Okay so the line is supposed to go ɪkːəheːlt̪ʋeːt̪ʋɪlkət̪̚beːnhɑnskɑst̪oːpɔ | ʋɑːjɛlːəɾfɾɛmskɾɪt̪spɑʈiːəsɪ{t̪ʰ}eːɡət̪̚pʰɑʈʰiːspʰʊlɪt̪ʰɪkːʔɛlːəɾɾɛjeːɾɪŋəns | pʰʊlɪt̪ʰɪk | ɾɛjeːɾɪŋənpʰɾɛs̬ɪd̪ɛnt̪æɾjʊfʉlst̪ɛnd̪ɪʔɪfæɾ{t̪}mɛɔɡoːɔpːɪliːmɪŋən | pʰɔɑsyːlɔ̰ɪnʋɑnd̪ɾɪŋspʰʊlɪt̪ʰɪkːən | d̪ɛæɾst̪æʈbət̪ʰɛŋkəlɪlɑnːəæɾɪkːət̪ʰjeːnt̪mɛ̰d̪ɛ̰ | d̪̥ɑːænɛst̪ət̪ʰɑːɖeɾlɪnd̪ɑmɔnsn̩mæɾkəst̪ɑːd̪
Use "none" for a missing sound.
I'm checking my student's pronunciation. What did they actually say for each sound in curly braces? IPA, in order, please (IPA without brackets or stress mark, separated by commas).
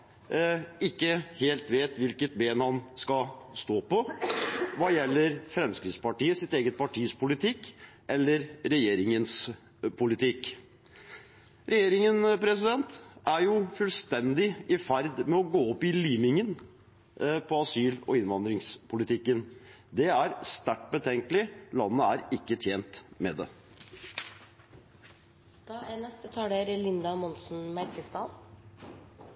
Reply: t̪, d̪